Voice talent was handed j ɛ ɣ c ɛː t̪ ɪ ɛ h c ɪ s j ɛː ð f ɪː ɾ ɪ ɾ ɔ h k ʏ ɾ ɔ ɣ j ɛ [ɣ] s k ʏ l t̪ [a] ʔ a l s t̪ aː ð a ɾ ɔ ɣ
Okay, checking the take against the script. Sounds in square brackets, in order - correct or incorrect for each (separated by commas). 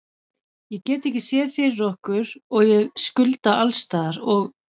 correct, correct